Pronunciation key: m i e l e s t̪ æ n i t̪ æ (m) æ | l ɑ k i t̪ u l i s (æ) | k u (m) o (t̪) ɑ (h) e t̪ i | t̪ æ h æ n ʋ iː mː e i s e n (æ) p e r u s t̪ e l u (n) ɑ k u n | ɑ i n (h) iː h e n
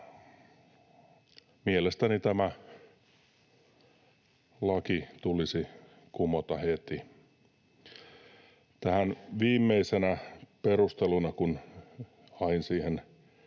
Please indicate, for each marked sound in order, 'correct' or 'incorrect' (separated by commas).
correct, incorrect, correct, correct, correct, correct, correct, incorrect